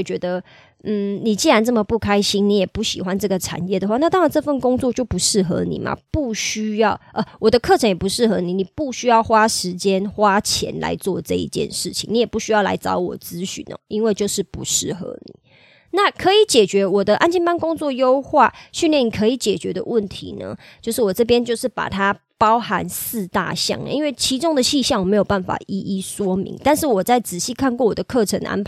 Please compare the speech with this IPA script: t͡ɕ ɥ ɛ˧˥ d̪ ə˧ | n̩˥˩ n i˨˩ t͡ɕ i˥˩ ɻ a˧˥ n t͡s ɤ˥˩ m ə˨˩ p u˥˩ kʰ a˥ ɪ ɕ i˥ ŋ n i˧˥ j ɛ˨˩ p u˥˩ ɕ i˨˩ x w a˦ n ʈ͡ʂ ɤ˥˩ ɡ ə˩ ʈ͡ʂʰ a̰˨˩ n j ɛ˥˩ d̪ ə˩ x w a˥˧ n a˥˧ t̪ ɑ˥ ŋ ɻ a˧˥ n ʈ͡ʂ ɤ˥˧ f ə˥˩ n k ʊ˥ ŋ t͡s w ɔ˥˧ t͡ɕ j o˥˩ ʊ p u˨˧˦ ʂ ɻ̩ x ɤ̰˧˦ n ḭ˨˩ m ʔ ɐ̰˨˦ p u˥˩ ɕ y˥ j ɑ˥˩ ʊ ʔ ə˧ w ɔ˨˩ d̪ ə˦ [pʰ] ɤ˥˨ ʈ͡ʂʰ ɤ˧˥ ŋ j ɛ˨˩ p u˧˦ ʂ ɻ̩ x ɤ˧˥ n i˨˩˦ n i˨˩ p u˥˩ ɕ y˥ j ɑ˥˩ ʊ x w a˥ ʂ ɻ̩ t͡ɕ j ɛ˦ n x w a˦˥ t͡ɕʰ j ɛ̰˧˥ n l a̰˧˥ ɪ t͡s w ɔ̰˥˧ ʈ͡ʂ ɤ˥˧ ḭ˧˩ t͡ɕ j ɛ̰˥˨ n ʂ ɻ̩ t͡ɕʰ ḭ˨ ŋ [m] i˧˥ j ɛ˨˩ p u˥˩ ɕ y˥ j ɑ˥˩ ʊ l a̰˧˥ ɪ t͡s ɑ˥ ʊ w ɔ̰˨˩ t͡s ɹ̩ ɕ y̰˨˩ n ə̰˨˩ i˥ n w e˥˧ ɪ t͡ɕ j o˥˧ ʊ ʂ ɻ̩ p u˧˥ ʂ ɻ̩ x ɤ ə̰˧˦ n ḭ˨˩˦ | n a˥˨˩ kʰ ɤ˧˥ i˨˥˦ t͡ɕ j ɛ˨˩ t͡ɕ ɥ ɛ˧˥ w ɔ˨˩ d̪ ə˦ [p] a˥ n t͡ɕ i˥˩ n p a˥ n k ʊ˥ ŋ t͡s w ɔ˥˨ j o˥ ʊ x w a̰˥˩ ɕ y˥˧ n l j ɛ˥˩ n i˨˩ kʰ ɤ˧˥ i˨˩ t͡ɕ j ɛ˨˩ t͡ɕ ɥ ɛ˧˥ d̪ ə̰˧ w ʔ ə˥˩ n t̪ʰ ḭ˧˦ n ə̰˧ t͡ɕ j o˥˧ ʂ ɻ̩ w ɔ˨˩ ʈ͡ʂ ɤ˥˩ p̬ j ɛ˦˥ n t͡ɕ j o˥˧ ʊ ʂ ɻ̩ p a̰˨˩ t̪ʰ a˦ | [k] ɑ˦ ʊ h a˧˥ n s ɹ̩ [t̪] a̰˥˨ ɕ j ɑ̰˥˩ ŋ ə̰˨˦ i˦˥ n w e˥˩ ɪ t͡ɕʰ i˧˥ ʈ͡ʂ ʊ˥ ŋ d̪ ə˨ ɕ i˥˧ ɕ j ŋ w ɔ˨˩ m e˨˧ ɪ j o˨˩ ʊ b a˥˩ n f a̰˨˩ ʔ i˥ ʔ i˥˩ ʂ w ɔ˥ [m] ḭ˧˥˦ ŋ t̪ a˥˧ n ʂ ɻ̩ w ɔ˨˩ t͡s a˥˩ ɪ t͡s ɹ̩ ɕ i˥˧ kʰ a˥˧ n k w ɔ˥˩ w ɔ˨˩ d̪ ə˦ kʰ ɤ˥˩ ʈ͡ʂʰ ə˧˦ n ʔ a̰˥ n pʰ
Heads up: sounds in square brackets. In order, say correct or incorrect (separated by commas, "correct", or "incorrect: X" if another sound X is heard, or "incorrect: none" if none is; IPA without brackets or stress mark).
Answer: incorrect: kʰ, incorrect: n, incorrect: ʔ, incorrect: p, correct, correct